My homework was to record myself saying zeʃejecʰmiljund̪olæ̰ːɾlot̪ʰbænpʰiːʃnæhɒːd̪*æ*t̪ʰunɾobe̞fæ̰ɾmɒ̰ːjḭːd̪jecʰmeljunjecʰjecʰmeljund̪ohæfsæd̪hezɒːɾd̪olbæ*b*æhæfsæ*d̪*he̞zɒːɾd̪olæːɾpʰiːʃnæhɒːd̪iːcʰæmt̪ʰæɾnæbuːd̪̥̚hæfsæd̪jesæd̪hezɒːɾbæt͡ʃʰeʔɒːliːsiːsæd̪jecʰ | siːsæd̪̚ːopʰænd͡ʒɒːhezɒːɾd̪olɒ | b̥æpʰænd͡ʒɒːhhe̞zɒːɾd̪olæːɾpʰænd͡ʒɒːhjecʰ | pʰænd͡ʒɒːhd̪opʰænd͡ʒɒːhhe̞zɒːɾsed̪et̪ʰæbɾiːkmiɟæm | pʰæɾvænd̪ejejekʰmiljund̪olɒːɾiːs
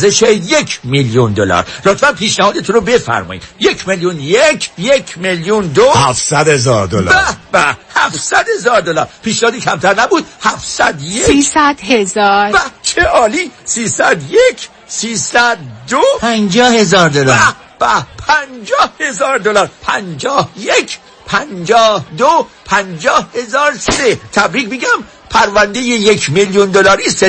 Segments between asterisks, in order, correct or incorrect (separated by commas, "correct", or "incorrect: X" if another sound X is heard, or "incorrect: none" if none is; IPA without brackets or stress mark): incorrect: e, correct, correct